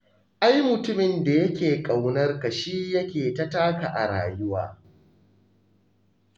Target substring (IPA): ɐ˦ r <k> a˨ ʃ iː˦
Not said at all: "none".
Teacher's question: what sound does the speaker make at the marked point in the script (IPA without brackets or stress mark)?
k